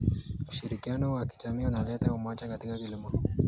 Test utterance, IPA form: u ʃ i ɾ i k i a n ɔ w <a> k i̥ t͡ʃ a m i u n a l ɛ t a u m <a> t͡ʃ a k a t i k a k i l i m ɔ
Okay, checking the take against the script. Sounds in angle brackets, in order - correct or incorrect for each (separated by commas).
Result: correct, correct